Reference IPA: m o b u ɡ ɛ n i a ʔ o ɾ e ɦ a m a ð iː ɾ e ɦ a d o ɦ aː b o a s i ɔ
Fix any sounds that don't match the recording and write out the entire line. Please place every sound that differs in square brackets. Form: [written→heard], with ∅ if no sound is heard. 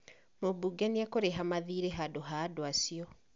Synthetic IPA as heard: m o b u ɡ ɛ n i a [ʔ→k] o ɾ e ɦ a m a ð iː ɾ e ɦ a d o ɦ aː [b→d] o a s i ɔ